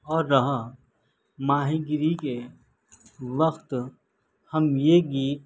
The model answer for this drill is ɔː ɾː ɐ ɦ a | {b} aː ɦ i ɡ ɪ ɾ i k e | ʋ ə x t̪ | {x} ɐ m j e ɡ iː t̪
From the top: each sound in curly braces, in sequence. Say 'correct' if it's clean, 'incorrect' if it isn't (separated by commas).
incorrect, incorrect